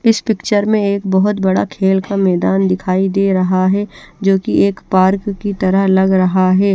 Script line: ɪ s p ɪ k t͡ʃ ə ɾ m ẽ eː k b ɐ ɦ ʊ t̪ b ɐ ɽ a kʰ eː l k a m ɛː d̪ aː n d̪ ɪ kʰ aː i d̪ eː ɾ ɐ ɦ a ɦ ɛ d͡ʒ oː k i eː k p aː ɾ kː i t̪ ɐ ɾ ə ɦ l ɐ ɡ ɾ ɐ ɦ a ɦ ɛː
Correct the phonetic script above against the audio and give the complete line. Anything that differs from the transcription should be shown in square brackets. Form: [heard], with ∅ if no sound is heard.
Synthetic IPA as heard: ɪ s p ɪ k t͡ʃ ə ɾ m ẽ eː k b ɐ ɦ ʊ t̪ b ɐ ɽ a kʰ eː l k a m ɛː d̪ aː n d̪ ɪ kʰ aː i d̪ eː ɾ ɐ ɦ a ɦ ɛ d͡ʒ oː k i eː k p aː ɾ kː i t̪ ɐ ɾ ə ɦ l ɐ ɡ ɾ ɐ ɦ a ɦ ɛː